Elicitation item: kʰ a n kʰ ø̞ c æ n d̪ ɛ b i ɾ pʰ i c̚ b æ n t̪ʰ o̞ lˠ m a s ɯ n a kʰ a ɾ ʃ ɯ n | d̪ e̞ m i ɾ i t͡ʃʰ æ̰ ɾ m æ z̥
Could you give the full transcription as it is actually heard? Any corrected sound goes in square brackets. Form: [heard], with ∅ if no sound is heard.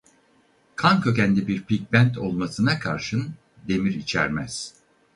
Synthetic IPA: kʰ a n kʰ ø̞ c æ n d̪ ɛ b i ɾ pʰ i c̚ b æ n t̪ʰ o̞ lˠ m a s ɯ n a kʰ a ɾ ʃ ɯ n | d̪ e̞ m i ɾ i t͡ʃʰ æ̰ ɾ m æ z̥